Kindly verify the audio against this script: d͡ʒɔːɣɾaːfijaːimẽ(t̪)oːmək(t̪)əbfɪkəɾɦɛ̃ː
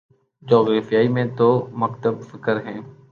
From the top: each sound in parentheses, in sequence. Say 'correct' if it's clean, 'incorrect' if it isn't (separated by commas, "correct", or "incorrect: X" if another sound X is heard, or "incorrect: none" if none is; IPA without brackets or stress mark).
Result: correct, correct